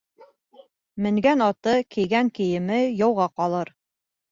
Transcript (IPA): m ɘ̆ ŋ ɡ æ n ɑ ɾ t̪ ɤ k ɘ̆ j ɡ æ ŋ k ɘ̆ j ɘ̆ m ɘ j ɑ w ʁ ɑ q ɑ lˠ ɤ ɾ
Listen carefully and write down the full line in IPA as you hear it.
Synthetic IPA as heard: m ɘ̆ ŋ ɡ æ n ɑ t̪ ɤ k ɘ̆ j ɡ æ ŋ k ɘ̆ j ɘ̆ m ɘ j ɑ w ʁ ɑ q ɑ lˠ ɤ ɾ